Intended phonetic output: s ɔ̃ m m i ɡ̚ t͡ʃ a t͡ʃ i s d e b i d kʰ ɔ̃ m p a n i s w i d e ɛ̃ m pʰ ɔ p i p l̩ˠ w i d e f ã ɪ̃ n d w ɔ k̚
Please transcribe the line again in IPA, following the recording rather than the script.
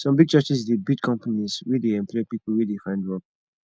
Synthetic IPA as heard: s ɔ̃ m b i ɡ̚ t͡ʃ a t͡ʃ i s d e b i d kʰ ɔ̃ m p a n i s w i d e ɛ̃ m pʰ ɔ p i p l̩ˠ w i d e f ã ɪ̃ n d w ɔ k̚